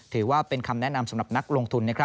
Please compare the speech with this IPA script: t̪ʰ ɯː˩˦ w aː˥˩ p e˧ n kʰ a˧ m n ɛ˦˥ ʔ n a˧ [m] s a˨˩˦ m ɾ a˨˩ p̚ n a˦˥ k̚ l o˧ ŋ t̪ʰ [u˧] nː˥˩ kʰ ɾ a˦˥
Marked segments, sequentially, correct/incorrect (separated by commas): correct, correct